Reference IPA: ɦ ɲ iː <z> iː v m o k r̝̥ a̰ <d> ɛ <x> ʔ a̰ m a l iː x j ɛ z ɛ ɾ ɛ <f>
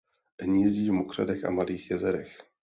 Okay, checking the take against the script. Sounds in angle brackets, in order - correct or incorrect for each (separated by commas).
correct, correct, correct, incorrect